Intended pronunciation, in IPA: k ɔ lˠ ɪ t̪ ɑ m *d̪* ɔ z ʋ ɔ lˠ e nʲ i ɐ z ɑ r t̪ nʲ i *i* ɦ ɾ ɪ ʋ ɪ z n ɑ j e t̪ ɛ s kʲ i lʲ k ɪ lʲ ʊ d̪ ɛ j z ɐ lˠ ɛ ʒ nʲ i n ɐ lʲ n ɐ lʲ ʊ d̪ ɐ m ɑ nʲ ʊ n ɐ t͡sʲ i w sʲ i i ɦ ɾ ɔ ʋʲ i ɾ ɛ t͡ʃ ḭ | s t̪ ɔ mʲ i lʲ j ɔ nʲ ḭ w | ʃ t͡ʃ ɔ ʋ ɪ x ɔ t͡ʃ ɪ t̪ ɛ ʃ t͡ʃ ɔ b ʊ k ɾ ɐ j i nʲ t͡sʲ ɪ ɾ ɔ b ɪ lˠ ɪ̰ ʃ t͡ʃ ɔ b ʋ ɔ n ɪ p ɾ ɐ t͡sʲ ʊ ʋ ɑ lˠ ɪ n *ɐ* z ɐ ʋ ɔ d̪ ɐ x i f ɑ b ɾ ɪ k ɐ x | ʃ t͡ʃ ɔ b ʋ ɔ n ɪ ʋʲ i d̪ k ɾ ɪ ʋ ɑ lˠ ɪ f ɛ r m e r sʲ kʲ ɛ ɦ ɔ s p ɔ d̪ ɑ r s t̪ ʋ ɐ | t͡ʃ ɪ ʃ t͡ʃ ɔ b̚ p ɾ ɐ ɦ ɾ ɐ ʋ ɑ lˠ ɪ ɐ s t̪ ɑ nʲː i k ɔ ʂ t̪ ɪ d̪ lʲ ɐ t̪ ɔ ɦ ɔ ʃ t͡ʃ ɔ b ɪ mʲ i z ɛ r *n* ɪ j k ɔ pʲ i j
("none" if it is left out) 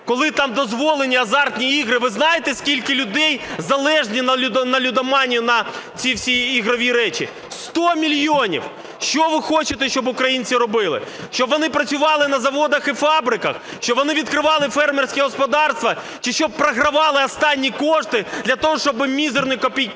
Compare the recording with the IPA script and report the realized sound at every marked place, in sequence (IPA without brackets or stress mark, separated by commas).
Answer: d̪, i, ɐ, n